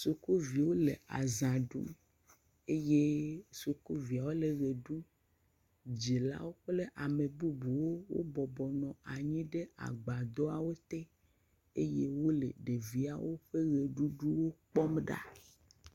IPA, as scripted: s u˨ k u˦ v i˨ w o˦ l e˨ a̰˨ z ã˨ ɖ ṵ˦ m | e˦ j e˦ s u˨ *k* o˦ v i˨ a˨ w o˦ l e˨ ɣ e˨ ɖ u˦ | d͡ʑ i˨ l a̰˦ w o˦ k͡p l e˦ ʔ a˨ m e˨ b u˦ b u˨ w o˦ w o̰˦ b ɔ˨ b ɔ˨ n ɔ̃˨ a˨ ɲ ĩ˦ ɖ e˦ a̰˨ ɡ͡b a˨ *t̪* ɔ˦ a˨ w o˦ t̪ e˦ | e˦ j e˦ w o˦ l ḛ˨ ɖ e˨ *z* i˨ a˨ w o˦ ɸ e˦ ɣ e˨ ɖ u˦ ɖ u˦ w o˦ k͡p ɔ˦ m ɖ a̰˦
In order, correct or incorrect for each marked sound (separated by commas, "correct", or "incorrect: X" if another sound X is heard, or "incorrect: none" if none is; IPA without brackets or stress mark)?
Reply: correct, incorrect: d̪, incorrect: v